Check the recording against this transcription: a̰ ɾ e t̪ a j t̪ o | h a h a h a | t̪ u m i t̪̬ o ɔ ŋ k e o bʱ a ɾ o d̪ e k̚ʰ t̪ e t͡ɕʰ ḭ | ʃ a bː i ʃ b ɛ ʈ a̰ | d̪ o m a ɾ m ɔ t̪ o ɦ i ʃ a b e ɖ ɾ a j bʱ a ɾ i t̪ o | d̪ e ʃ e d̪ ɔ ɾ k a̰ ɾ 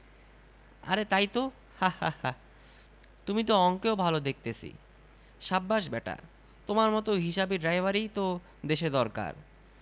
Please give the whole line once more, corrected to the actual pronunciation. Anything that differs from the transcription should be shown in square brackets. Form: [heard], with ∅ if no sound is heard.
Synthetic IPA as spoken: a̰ ɾ e t̪ a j t̪ o | h a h a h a | t̪ u m i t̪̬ o ɔ ŋ k e o bʱ a [l] o d̪ e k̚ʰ t̪ e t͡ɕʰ ḭ | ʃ a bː [a] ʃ b ɛ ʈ a̰ | [t̪] o m a ɾ m ɔ t̪ o ɦ i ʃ a b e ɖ ɾ a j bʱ a ɾ i t̪ o | d̪ e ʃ e d̪ ɔ ɾ k a̰ ɾ

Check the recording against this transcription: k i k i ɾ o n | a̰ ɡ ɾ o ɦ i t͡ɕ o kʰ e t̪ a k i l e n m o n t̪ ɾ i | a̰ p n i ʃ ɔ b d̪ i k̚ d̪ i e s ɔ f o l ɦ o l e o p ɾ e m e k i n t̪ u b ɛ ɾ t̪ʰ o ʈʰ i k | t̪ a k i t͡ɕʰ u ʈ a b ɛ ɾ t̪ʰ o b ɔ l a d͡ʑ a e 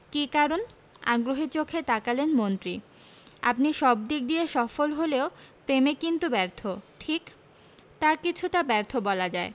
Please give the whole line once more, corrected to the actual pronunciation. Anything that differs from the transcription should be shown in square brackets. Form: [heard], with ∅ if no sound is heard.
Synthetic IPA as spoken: k i k [a] ɾ o n | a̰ ɡ ɾ o ɦ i t͡ɕ o kʰ e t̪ a k [a] l e n m o n t̪ ɾ i | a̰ p n i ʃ ɔ b d̪ i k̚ d̪ i e [ʃ] ɔ f o l ɦ o l e o p ɾ e m e k i n t̪ u b ɛ ɾ t̪ʰ o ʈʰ i k | t̪ a k i t͡ɕʰ u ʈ a b ɛ ɾ t̪ʰ o b ɔ l a d͡ʑ a e

